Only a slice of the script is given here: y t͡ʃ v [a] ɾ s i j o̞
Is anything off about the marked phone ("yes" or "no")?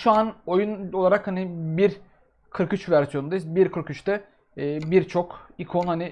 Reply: yes